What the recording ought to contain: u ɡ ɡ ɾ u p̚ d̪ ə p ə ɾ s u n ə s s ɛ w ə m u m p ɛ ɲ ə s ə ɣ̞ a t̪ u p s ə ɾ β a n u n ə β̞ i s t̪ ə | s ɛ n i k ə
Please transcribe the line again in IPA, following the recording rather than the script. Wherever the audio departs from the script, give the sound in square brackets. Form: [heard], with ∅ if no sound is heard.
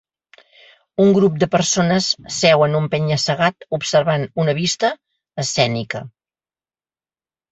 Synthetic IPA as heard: u [ŋ] ɡ ɾ u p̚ d̪ ə p ə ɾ s [o] n ə s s ɛ w ə [n] u m p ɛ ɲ ə s ə ɣ̞ a t̪ u p s ə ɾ β a n u n ə β̞ i s t̪ [əː] | s ɛ n i k ə